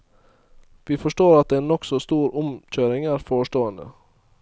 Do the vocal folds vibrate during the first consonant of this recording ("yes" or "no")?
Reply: yes